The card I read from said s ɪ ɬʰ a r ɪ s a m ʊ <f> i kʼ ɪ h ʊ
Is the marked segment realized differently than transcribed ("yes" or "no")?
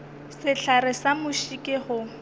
yes